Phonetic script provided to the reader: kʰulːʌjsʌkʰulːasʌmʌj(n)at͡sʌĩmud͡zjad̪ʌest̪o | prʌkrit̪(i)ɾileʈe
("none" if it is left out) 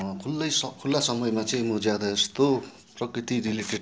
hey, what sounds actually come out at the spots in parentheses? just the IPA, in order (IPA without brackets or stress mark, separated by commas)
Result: m, i